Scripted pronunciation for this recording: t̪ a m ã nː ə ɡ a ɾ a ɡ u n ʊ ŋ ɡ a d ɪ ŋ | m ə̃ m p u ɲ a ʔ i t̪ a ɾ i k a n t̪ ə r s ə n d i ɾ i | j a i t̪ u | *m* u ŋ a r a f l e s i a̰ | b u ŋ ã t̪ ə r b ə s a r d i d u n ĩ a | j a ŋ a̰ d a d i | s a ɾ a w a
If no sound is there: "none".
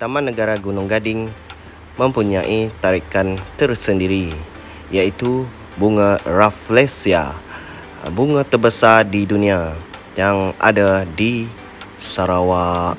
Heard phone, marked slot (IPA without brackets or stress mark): b